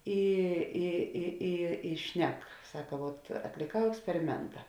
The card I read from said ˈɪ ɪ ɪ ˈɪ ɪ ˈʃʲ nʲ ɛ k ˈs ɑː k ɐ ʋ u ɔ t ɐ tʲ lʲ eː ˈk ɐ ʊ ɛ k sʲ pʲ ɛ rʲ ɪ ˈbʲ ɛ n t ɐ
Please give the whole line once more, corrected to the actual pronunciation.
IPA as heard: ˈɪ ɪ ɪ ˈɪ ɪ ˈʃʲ nʲ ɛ k ˈs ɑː k ɐ ʋ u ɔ t ɐ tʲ lʲ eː ˈk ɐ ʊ ɛ k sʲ pʲ ɛ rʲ ɪ ˈmʲ ɛ n t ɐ